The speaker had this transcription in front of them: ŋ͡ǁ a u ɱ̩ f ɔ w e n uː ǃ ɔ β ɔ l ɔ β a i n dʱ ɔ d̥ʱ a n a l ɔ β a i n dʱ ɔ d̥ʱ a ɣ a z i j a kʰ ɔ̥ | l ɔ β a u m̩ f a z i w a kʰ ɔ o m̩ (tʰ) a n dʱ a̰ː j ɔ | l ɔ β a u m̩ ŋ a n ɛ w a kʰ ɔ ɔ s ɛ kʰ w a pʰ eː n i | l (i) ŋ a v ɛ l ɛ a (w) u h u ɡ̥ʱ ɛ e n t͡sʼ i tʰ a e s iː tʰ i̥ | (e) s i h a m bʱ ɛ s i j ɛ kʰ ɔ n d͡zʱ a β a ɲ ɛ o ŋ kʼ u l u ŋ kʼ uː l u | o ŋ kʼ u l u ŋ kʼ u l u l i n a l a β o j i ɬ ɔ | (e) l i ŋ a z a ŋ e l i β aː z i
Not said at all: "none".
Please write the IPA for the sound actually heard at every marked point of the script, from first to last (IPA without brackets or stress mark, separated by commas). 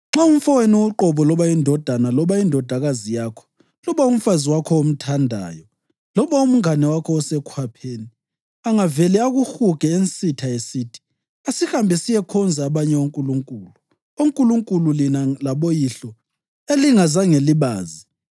tʰ, a, ɣ, a, e